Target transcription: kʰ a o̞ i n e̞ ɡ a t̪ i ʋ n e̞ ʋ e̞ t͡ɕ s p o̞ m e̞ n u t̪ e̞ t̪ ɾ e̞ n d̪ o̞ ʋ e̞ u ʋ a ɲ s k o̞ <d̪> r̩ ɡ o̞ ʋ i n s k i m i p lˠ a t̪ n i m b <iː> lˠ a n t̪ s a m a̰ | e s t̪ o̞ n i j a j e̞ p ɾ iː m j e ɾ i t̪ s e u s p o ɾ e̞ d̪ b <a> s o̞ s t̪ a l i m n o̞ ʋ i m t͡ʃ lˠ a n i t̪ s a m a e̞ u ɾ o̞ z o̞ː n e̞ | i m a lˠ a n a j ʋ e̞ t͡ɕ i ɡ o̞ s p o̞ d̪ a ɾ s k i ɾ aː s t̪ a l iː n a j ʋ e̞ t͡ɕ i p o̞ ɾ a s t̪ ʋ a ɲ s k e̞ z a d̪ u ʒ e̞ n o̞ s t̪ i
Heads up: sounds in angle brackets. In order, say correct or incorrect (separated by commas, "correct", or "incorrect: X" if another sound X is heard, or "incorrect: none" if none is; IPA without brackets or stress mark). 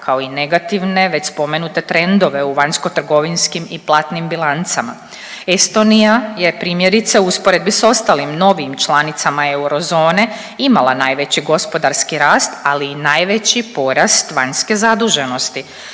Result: incorrect: t̪, incorrect: i, incorrect: i